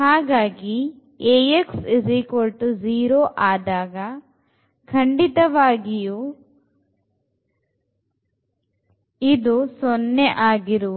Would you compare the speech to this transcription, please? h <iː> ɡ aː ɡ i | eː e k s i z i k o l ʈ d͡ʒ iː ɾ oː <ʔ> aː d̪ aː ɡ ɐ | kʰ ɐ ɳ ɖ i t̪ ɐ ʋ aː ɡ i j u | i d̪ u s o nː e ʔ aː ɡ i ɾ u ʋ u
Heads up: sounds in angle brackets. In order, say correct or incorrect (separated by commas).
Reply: incorrect, correct